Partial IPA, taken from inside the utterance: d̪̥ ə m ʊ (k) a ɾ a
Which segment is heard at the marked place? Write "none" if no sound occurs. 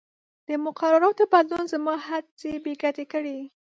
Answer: q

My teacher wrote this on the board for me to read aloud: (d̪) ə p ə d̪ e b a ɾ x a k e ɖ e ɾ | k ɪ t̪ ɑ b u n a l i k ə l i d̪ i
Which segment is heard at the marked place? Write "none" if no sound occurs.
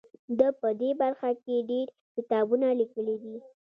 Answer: d̪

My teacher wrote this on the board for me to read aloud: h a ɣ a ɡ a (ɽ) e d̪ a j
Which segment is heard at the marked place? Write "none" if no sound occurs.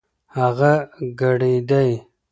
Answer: ɽ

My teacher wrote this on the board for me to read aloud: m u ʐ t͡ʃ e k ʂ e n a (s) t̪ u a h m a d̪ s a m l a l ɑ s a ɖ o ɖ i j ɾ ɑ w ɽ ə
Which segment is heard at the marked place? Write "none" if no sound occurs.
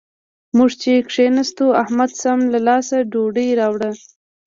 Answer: s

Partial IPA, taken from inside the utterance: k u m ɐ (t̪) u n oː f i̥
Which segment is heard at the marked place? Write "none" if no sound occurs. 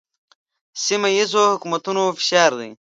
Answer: t̪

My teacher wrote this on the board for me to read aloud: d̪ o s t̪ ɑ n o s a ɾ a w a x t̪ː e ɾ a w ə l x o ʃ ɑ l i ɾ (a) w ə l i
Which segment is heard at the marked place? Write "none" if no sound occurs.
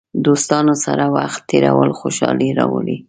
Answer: ɑ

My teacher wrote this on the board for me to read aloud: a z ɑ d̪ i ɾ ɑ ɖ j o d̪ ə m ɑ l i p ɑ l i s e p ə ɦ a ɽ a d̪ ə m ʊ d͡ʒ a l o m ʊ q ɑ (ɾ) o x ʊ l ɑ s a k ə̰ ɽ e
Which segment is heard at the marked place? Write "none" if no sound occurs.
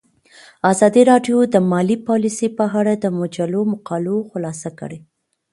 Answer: l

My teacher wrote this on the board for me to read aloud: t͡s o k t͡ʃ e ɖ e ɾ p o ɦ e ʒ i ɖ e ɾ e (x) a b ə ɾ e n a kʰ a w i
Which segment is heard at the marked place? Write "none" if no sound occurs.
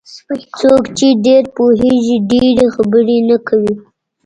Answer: x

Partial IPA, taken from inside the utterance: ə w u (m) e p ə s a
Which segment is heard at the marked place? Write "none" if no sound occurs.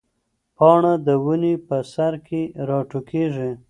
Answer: n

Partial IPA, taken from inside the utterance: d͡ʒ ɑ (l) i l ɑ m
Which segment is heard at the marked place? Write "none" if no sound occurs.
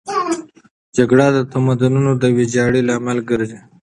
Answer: ɽ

